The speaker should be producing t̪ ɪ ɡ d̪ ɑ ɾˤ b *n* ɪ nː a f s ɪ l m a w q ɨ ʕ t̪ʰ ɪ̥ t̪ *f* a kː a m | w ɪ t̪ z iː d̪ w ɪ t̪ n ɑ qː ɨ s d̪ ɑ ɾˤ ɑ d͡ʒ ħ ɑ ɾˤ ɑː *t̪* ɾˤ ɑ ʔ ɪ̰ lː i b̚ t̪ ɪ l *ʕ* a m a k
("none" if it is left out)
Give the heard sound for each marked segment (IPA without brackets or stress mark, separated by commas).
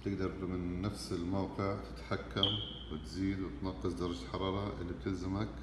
m, ħ, none, z